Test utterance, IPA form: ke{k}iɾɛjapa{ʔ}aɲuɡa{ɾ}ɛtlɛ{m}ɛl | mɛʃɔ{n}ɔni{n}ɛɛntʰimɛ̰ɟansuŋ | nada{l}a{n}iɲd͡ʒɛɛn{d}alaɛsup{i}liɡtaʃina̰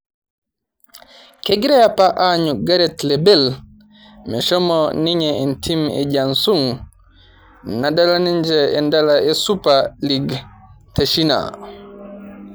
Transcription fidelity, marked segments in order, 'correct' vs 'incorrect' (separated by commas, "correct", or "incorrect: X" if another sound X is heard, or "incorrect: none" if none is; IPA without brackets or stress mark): incorrect: ɡ, correct, correct, incorrect: b, incorrect: m, incorrect: ɲ, correct, correct, correct, incorrect: a